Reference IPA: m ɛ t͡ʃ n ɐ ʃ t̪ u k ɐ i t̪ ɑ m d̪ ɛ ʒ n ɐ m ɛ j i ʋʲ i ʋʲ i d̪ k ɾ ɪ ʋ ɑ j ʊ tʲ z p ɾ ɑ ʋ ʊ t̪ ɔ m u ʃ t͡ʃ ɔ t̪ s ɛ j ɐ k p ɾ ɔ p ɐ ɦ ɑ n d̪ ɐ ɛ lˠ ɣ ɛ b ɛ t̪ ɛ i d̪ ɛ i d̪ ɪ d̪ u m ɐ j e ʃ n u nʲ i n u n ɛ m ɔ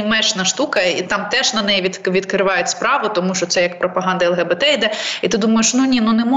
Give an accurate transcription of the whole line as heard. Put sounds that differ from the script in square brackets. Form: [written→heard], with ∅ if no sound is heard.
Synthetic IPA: m ɛ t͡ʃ n ɐ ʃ t̪ u k ɐ i t̪ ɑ m [d̪→t̪] ɛ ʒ n ɐ [m→n] ɛ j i ʋʲ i ʋʲ i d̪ k ɾ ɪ ʋ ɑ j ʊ tʲ [z→s] p ɾ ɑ ʋ ʊ t̪ ɔ m u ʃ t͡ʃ ɔ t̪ s ɛ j ɐ k p ɾ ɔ p ɐ ɦ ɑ n d̪ ɐ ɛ lˠ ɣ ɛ b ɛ t̪ ɛ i d̪ ɛ i [d̪→t̪] ɪ d̪ u m ɐ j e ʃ n u nʲ i n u n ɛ m ɔ